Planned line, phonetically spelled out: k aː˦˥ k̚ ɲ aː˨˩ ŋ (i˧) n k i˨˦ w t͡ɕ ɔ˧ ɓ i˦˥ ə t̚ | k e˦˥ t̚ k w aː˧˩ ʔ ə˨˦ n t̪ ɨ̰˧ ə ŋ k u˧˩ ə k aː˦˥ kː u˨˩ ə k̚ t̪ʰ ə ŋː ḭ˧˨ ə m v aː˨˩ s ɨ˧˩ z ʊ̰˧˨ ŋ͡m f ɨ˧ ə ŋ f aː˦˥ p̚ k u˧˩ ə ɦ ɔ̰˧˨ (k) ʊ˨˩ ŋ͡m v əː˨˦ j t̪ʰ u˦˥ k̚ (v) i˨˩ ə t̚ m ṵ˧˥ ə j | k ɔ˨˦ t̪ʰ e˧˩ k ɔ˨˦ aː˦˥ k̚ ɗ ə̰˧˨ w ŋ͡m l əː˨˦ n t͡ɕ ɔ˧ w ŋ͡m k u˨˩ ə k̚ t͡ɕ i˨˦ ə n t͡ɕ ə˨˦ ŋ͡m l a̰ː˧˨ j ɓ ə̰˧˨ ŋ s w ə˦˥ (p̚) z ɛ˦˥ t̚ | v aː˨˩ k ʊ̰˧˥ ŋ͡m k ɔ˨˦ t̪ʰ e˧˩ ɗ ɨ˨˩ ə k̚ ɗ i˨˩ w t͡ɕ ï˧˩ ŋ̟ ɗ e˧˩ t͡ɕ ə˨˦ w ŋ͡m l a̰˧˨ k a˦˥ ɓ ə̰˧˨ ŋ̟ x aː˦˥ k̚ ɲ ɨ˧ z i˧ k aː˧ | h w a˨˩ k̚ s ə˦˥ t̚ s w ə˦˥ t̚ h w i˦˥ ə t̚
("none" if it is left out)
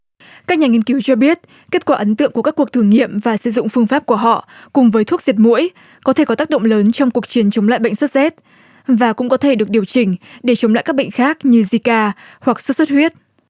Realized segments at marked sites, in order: i˧, k, z, t̚

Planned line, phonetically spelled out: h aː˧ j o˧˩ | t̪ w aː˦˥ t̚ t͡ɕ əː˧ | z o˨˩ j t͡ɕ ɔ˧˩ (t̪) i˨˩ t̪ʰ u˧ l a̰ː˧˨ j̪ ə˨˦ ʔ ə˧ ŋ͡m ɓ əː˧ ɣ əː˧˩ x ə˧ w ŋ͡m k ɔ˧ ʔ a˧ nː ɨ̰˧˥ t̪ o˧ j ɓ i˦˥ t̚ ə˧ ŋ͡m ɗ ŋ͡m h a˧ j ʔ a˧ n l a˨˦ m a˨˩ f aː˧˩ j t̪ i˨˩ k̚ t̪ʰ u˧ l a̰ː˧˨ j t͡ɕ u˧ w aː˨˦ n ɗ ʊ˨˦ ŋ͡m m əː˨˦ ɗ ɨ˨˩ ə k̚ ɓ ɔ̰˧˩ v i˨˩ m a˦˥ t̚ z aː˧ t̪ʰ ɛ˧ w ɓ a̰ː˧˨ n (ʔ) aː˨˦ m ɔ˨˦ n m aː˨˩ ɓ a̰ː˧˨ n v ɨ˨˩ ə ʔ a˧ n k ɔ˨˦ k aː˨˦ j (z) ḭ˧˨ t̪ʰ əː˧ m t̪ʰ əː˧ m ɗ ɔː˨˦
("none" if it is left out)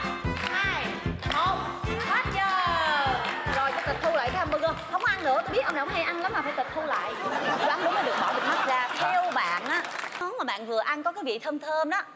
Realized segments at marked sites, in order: t̪, ʔ, v

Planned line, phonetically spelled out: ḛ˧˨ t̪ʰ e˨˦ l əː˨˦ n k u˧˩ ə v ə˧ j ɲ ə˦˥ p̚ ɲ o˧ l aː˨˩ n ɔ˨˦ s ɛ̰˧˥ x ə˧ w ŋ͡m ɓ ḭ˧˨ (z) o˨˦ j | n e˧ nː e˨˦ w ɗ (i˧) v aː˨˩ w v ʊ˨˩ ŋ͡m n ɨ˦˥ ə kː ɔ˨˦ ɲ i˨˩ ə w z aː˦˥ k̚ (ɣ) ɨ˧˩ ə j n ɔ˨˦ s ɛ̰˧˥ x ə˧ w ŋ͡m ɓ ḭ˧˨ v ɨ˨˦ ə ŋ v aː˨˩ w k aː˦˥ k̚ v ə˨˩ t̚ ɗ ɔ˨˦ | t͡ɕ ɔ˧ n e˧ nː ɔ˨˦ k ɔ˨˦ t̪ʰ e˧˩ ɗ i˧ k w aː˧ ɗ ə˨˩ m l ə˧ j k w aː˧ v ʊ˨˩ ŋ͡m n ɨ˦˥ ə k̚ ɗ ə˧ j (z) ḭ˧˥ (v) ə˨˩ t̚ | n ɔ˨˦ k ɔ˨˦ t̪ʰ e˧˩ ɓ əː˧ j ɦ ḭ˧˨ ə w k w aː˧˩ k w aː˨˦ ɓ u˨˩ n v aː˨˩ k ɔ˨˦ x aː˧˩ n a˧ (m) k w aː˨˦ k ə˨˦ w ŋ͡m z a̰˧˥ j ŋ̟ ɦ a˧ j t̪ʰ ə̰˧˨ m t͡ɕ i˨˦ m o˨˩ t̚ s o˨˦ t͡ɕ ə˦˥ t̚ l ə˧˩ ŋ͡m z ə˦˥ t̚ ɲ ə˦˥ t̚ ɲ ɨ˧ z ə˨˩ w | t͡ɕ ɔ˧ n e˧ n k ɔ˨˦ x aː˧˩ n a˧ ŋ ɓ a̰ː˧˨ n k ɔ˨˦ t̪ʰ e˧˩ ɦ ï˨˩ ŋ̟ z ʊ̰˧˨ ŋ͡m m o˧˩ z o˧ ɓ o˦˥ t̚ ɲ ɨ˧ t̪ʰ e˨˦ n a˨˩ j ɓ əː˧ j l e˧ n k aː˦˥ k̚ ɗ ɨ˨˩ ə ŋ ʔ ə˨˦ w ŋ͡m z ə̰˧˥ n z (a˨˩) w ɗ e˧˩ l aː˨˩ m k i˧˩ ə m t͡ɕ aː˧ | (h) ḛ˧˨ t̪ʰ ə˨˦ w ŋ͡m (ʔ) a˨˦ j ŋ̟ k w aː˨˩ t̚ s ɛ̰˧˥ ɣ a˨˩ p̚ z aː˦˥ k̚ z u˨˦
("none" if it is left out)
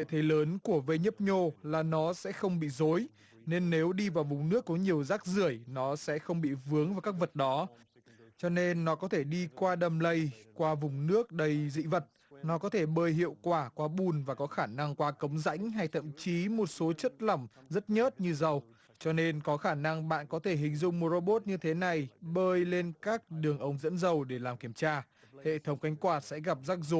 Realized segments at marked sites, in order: z, i˧, z, z, v, ŋ, ə˨˩, h, k

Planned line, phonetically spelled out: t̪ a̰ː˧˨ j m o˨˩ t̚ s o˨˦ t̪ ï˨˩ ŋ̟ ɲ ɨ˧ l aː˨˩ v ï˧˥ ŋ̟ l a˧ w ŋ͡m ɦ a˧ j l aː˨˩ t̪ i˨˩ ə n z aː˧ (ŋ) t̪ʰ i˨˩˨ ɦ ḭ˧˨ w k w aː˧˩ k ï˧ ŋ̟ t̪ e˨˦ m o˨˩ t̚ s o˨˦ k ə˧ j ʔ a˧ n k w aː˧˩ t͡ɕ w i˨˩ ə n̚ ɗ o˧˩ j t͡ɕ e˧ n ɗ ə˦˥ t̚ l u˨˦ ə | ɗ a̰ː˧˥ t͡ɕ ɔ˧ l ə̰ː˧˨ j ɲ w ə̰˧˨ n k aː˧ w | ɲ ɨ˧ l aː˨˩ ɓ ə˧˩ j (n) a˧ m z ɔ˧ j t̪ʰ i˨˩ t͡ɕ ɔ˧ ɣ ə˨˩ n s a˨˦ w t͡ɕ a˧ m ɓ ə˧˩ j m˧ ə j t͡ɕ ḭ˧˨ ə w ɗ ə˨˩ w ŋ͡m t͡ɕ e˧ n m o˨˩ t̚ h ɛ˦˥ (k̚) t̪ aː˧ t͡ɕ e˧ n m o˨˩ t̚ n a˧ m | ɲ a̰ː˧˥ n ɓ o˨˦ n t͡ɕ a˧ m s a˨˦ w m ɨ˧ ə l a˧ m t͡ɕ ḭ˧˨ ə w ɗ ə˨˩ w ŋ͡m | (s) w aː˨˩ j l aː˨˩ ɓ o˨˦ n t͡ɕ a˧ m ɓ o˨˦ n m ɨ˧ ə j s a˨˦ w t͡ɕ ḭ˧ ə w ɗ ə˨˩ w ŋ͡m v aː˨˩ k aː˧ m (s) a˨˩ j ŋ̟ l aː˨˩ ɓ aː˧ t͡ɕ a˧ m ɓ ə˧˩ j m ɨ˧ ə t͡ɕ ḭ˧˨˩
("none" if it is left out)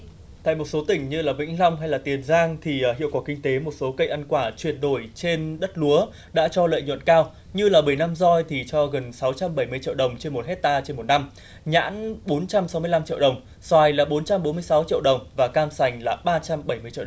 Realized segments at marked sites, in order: ŋ, n, t̚, s, s

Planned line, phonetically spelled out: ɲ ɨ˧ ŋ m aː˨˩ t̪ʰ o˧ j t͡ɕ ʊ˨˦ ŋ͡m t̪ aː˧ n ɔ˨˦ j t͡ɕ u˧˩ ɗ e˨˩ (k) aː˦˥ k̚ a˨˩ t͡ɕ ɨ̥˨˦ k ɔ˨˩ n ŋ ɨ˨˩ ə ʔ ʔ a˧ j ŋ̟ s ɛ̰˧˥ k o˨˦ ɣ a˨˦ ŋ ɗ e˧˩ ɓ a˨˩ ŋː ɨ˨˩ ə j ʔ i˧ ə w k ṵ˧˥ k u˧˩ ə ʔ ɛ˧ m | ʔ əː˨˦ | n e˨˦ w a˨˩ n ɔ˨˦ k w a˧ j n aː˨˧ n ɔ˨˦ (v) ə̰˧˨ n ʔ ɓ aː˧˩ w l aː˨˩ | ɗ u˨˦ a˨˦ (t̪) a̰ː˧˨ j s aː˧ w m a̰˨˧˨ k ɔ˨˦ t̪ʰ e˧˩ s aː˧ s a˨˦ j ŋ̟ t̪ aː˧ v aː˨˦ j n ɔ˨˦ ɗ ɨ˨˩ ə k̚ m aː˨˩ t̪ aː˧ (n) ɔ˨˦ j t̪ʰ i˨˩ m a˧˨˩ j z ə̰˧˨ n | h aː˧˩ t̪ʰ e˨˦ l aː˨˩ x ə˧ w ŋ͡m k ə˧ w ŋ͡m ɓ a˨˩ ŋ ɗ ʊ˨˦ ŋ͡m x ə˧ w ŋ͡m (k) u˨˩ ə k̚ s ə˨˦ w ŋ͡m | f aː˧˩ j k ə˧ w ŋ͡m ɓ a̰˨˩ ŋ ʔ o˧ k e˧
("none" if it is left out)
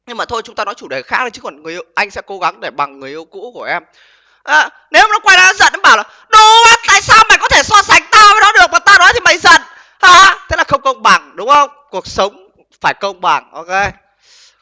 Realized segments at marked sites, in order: x, z, t̪, n, k

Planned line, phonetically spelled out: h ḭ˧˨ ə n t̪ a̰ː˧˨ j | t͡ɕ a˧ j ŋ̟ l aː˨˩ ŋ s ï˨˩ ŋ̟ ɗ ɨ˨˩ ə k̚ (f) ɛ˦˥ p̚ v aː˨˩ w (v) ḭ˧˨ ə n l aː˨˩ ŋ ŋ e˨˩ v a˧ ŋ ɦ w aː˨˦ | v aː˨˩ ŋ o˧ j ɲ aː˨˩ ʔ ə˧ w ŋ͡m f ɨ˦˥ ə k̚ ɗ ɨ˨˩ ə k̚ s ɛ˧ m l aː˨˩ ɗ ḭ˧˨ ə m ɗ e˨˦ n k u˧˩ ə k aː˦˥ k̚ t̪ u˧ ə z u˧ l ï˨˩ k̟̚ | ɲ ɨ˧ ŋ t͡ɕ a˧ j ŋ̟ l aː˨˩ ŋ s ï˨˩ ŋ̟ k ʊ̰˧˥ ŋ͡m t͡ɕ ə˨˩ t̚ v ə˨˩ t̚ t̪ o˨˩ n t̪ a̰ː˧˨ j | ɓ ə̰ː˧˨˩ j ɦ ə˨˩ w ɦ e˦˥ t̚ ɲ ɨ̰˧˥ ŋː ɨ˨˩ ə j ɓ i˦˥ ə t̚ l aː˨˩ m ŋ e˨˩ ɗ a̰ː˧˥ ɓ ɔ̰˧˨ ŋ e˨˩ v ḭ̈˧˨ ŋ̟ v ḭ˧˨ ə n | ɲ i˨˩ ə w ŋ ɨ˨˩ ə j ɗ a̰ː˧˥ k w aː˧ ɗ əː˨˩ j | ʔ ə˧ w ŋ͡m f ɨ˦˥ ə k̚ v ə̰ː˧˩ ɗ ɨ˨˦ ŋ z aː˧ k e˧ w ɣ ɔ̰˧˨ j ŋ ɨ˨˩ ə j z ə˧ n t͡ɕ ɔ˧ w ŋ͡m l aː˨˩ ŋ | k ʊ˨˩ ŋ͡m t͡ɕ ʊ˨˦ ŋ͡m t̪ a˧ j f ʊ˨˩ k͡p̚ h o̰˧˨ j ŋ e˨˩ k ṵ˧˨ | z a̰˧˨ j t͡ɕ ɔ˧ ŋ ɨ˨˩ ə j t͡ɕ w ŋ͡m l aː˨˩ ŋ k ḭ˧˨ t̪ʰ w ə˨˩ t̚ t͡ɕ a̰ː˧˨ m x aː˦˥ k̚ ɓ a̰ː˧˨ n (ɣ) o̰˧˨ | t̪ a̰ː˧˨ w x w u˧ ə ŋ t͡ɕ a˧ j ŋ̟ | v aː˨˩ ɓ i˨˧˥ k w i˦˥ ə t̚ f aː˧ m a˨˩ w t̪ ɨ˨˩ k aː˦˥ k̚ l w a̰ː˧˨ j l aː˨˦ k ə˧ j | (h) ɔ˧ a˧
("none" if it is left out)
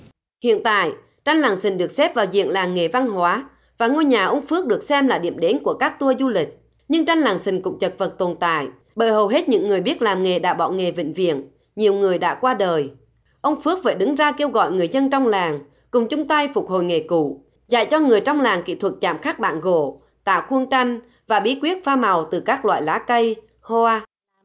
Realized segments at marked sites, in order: s, z, ɣ, h

